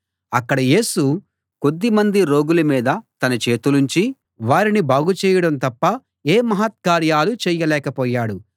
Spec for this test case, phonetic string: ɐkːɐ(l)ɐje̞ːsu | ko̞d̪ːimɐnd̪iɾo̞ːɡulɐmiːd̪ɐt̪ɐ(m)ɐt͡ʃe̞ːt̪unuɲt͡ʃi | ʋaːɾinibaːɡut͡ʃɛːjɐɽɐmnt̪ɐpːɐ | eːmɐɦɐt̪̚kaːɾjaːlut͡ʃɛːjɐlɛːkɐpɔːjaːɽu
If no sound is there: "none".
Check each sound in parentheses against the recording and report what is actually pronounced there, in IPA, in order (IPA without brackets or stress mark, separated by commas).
ɽ, n